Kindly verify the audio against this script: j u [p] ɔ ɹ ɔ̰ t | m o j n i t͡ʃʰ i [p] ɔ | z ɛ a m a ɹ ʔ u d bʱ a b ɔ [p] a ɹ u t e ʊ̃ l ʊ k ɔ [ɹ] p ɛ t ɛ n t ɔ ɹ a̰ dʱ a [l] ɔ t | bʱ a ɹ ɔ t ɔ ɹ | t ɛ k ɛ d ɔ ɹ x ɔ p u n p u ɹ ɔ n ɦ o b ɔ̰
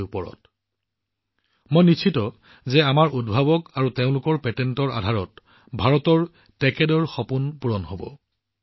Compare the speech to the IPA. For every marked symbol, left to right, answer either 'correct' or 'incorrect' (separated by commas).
correct, incorrect, incorrect, correct, incorrect